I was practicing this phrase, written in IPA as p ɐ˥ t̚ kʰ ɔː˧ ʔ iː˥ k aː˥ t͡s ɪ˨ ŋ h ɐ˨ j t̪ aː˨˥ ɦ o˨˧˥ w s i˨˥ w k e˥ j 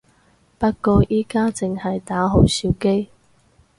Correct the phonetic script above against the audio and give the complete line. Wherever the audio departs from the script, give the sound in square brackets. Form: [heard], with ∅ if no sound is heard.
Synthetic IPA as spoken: p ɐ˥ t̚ [k] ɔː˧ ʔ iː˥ k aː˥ t͡s ɪ˨ ŋ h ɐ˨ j t̪ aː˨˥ ɦ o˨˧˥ w s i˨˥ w k e˥ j